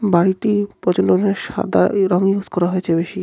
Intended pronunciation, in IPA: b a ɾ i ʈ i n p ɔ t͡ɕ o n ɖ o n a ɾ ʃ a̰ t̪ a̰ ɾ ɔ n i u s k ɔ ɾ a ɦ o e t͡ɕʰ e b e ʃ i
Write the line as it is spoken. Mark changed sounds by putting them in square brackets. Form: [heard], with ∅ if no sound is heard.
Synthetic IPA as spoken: b a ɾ i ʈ i [∅] p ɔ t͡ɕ o n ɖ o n [e] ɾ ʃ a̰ [d̪] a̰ ɾ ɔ [ŋ] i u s k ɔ ɾ a ɦ o e t͡ɕʰ e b e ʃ i